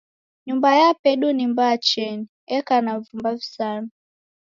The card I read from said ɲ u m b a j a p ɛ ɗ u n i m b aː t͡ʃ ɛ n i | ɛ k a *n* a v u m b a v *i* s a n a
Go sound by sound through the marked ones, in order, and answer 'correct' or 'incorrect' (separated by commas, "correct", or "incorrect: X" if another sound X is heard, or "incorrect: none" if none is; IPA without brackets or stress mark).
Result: correct, correct